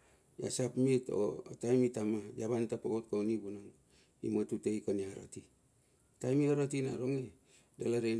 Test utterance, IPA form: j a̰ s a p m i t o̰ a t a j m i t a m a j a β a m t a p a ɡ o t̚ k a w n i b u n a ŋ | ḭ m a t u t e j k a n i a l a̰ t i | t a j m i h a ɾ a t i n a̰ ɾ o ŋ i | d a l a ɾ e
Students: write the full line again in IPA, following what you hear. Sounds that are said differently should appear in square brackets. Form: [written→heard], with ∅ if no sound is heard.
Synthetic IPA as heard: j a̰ s a p m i t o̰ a t a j m i t a m a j a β a [m→n] t a p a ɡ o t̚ k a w n i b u n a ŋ | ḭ m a t u t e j k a n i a [l→ɾ] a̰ t i | t a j m i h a ɾ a t i n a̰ ɾ o ŋ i | d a l a ɾ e